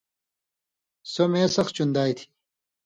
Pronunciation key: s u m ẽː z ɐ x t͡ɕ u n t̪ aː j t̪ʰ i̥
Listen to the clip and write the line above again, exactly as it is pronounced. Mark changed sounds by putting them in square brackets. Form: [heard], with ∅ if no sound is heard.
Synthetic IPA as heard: s [o] m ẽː [s] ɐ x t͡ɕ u n [d̪] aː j t̪ʰ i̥